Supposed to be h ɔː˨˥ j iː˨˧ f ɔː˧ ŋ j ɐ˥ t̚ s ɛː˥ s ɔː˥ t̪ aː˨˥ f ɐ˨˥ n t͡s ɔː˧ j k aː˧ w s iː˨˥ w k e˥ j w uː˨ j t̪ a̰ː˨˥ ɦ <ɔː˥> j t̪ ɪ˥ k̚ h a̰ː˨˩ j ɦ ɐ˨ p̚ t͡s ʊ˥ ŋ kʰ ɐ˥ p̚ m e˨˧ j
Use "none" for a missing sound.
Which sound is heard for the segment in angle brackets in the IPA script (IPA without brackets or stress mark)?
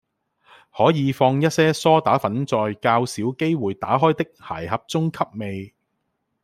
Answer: ɔː˥